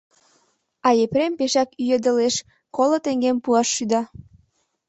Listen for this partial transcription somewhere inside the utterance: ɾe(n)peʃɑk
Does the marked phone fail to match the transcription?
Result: yes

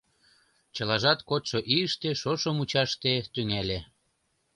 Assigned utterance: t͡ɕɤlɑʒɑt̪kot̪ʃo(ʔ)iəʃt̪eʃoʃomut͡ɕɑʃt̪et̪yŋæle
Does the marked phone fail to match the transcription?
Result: no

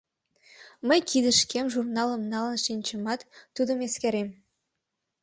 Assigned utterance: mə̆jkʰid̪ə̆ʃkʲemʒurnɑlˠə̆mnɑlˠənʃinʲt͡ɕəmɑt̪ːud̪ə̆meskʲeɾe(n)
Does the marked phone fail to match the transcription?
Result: yes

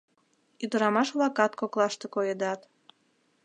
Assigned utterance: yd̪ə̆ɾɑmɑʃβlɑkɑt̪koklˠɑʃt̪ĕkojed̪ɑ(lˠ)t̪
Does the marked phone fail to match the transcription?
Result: yes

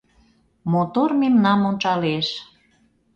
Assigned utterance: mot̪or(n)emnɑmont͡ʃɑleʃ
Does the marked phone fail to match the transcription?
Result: yes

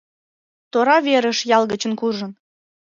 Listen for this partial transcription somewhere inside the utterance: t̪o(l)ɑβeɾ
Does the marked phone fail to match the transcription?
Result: yes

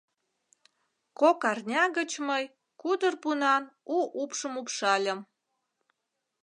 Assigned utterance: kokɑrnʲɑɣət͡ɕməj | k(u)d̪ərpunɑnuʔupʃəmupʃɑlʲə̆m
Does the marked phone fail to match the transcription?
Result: no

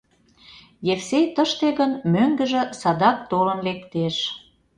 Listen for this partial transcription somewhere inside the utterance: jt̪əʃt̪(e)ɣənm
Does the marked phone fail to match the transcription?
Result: no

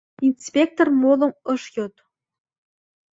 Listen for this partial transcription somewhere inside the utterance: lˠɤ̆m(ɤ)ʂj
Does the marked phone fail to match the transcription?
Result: no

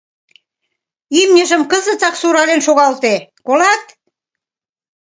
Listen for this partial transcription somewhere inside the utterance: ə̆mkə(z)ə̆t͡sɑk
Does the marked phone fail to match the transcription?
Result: no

